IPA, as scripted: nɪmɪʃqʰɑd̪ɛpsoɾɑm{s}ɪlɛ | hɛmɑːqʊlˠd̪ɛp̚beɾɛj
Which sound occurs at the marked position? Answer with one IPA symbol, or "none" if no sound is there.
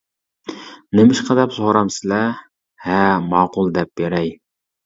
s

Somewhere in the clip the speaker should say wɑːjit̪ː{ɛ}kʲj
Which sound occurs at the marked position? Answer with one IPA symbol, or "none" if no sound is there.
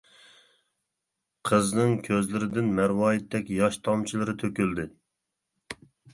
ɛ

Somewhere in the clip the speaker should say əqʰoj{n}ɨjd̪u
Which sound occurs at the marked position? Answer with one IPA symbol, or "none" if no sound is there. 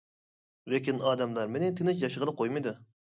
m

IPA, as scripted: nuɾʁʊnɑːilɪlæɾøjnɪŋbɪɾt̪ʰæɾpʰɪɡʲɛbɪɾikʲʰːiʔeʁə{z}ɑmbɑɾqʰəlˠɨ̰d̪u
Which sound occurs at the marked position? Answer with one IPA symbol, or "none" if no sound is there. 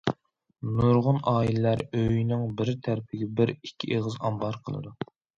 z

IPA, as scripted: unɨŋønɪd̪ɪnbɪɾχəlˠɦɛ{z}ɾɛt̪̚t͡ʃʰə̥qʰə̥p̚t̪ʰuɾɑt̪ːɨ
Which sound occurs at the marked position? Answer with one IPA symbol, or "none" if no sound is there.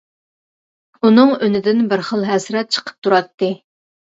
s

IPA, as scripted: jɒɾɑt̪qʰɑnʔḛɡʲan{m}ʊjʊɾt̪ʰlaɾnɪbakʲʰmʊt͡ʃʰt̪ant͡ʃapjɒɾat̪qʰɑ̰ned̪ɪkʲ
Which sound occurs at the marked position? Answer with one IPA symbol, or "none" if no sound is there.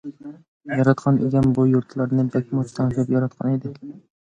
b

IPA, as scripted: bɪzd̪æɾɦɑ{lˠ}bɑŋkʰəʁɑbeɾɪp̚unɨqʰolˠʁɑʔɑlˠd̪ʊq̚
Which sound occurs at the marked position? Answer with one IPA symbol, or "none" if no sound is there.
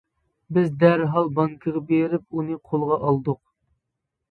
lˠ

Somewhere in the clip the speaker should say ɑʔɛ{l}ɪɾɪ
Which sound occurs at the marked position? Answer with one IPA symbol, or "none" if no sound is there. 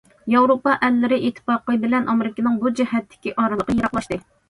lː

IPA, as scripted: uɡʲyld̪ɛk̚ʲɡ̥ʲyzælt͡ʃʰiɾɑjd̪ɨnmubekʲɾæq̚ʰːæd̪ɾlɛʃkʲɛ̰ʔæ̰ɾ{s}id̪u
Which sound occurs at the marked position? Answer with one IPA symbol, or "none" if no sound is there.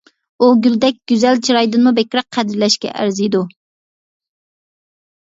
z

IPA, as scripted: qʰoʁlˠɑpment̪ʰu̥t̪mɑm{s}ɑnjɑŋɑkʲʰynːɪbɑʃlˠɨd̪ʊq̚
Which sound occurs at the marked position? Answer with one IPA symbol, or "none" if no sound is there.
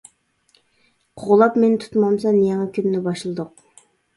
s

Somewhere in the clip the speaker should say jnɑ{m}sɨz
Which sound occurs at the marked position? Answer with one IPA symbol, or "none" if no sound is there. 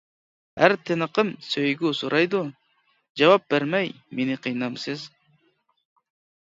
m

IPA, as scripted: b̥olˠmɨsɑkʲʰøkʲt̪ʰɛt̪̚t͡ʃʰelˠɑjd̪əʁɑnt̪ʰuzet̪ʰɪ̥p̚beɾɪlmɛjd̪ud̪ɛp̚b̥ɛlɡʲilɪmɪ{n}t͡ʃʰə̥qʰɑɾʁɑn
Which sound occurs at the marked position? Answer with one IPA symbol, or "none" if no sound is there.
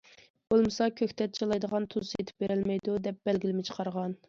none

